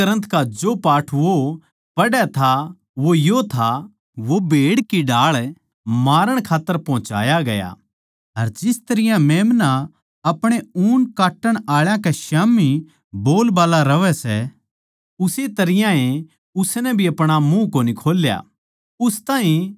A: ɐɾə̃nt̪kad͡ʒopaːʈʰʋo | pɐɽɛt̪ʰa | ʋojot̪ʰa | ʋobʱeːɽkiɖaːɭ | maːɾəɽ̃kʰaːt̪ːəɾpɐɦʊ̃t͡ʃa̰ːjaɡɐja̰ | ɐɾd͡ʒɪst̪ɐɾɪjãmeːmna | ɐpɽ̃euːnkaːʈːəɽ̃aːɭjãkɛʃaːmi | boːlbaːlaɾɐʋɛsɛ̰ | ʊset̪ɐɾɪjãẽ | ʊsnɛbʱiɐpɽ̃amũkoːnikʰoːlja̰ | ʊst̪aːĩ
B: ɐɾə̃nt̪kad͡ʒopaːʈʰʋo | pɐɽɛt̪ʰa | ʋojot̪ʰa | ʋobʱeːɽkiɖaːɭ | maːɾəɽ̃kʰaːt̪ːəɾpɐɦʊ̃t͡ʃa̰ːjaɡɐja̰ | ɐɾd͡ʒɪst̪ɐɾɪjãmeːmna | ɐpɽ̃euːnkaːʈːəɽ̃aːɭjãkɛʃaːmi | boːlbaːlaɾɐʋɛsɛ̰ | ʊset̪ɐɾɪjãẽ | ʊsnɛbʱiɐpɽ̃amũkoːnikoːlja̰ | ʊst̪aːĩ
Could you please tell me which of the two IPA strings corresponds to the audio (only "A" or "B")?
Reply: A